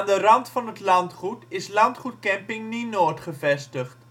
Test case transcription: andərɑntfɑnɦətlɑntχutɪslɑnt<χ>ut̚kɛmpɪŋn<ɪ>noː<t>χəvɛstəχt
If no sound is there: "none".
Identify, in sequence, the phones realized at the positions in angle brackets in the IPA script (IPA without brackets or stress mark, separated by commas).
χ, i, t